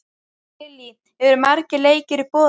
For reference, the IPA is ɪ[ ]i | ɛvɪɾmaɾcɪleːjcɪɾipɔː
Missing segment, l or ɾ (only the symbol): l